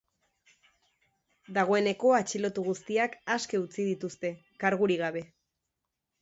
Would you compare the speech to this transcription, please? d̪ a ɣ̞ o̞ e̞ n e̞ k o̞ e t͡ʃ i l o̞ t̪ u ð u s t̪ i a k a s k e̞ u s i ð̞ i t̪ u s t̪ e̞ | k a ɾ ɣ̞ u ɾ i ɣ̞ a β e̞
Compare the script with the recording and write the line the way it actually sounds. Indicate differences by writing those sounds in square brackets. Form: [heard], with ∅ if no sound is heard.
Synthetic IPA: d̪ a ɣ̞ o̞ e̞ n e̞ k o̞ [a] t͡ʃ i l o̞ t̪ u [ɣ] u s t̪ i a k a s k e̞ u [t͡s] i ð̞ i t̪ u s t̪ e̞ | k a ɾ ɣ̞ u ɾ i ɣ̞ a β e̞